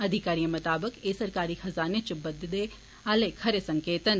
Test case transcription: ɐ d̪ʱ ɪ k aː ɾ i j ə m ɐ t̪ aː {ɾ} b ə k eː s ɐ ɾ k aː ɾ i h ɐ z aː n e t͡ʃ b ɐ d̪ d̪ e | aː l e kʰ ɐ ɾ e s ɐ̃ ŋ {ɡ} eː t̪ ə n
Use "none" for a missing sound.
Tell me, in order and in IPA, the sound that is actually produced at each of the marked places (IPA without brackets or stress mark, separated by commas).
none, k